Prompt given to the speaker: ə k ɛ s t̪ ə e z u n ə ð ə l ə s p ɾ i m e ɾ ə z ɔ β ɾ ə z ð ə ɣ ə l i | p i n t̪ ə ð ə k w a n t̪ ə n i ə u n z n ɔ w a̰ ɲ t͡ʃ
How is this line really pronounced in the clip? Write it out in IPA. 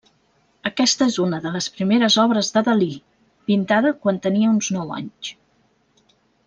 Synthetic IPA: ə k ɛ s t̪ ə e z u n ə ð ə l ə s p ɾ i m e ɾ ə z ɔ β ɾ ə z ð ə ð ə l i | p i n t̪ a ð ə k w a n t̪ ə n i ə u n z n ɔ w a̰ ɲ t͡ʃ

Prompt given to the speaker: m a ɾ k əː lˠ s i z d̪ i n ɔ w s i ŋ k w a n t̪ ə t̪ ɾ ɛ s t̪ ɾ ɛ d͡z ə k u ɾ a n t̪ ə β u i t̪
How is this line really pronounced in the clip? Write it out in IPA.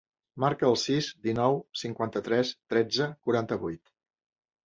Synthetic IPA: m a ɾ k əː lˠ s i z d̪ i n ɔ w s i ŋ k w a n t̪ ə t̪ ɾ ɛ s t̪ ɾ ɛ d͡z ə k u ɾ a n t̪ ə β u j t̪

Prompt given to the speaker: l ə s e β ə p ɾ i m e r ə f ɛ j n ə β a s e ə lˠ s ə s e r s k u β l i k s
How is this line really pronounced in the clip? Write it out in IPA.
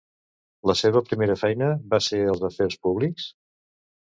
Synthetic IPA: l ə s e β ə p ɾ i m e ɾ ə f ɛ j n ə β a s e ə lˠ z ə f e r s p u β l i k s

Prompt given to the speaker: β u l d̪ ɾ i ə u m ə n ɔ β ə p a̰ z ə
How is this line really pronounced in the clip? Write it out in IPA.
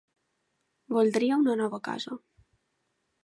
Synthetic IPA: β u l d̪ ɾ i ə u n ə n ɔ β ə k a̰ z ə

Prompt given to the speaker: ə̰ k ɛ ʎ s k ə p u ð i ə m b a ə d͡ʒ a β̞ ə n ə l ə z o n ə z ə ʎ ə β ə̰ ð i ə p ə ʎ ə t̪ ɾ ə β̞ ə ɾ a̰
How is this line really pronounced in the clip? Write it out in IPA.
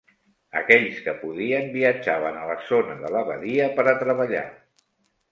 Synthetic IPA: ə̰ k ɛ ʎ s k ə p u ð i ə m b i ə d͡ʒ a β̞ ə n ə l ə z o n ə ð ə l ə β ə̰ ð i ə p ə ɾ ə t̪ ɾ ə β̞ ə ʎ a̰

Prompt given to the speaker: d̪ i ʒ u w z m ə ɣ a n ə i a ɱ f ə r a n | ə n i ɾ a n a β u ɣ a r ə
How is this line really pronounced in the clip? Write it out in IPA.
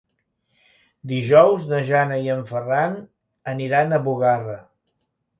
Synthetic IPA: d̪ i ʒ ɔ w z n ə ʒ a n ə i ə ɱ f ə r a n | ə n i ɾ a n ə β u ɣ a r ə

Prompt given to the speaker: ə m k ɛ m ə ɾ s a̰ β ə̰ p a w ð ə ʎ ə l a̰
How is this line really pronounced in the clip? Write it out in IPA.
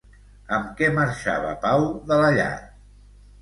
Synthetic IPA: ə m k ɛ m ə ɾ ʃ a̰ β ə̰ p a w ð ə l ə ʎ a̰

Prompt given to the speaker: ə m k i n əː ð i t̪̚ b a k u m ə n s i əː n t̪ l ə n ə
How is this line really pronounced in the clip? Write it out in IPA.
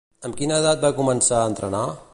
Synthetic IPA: ə m k i n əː ð a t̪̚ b a k u m ə n s a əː n t̪ ɾ ə n a

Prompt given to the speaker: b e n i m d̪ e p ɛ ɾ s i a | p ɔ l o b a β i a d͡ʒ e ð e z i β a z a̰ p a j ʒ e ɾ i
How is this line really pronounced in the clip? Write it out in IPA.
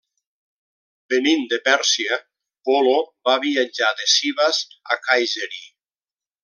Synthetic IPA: b e n i n d̪ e p ɛ ɾ s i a | p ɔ l o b a β i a d͡ʒ a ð e s i β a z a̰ k a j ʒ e ɾ i

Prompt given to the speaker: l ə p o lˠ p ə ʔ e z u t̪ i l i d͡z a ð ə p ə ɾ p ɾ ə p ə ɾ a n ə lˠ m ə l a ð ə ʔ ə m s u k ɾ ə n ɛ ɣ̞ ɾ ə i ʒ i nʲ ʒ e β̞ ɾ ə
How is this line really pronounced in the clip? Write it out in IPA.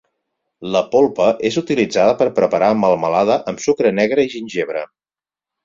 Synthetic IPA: l ə p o lˠ p ə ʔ e z u t̪ i l i d͡z a ð ə p ə ɾ p ɾ ə p ə ɾ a m ə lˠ m ə l a ð ə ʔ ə m s u k ɾ ə n ɛ ɣ̞ ɾ ə i ʒ i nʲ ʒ e β̞ ɾ ə

